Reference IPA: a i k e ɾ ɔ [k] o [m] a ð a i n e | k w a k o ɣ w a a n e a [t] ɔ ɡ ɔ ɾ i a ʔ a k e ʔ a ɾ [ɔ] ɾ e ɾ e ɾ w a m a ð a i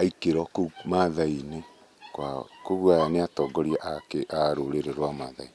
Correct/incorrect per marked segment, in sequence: correct, correct, correct, incorrect: o

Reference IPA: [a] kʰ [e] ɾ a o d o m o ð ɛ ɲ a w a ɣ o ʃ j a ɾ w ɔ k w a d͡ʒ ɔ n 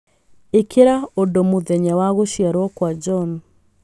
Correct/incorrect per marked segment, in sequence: incorrect: e, correct

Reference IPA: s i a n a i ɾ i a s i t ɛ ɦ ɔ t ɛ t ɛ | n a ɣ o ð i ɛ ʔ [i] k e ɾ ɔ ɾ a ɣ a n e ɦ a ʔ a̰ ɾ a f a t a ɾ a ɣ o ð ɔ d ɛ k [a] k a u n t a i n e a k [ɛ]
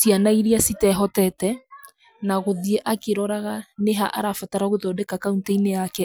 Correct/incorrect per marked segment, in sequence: incorrect: a, correct, correct

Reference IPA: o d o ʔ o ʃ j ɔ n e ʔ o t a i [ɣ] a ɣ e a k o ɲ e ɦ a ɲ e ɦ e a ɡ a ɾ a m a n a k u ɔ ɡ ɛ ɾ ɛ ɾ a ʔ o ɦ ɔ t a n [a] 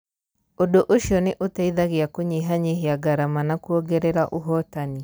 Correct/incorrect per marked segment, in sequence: incorrect: ð, incorrect: i

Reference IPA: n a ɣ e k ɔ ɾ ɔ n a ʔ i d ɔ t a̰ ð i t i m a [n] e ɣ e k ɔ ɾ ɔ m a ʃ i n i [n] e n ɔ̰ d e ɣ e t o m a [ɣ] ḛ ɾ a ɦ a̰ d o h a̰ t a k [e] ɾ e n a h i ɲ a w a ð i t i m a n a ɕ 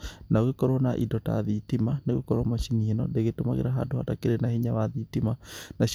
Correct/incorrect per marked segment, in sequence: correct, incorrect: none, correct, correct

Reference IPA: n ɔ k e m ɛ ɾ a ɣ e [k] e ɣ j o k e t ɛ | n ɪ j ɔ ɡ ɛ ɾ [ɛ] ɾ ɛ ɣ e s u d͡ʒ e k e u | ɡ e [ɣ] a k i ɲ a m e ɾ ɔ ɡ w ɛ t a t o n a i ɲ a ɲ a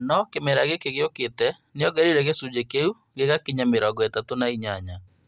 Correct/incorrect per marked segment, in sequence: correct, incorrect: i, correct

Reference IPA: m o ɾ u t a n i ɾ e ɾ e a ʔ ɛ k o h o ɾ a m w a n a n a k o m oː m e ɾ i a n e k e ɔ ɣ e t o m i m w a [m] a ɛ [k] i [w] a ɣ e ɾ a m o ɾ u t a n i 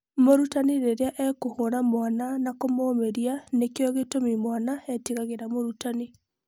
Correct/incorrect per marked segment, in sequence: incorrect: n, incorrect: t, incorrect: ɣ

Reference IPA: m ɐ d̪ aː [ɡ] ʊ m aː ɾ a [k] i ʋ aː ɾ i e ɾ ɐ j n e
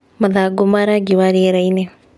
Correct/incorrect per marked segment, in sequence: correct, incorrect: ɡ

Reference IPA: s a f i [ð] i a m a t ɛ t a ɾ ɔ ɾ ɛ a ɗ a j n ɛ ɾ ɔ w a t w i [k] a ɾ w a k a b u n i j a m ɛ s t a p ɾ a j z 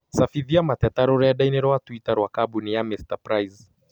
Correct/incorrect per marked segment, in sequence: correct, incorrect: t

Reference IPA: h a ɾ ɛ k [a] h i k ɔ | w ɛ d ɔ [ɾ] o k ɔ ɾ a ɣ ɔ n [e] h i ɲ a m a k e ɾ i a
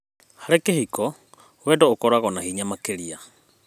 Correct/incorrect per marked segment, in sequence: incorrect: e, incorrect: none, incorrect: a

